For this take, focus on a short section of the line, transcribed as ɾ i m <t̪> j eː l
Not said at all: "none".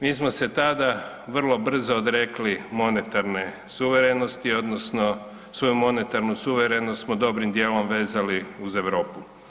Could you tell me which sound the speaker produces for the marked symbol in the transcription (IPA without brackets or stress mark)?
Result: d̪